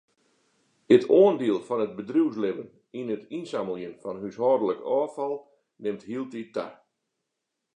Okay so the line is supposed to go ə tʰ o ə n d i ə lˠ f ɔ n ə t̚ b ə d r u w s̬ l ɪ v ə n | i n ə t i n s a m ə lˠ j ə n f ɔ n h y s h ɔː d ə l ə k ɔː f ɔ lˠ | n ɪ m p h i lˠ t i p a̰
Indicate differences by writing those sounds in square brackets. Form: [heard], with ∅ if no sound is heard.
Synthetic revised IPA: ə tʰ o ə n d i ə lˠ f ɔ n ə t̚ b ə d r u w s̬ l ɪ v ə n | i n ə t i n s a m ə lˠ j ə n f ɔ n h y s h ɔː d ə l ə k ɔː f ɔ lˠ | n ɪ m [t] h i lˠ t i [t] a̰